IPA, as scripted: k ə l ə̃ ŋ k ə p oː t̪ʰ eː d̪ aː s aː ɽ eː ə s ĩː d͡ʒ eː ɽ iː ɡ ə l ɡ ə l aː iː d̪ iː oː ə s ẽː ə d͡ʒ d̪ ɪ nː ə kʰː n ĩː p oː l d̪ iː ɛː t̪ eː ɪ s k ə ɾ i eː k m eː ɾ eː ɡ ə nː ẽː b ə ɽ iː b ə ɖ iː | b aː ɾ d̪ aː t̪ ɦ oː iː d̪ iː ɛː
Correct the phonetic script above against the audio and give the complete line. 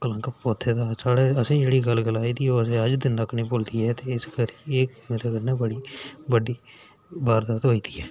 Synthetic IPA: k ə l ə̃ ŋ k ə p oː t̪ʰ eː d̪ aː s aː ɽ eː ə s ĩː d͡ʒ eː ɽ iː ɡ ə l ɡ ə l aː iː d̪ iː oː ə s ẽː ə d͡ʒ d̪ ɪ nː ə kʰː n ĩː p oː l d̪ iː ɛː t̪ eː ɪ s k ə ɾ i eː k m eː ɾ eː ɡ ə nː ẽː b ə ɽ iː b ə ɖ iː | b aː ɾ d̪ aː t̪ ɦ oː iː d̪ iː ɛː